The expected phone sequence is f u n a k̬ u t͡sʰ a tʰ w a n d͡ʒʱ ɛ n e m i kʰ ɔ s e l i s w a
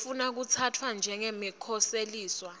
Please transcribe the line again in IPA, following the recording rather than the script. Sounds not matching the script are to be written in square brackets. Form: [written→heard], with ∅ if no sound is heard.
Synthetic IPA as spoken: f u n a k̬ u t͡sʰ a tʰ w a n d͡ʒʱ ɛ [n→ŋ] e m i kʰ ɔ s e l [i→iː] s w a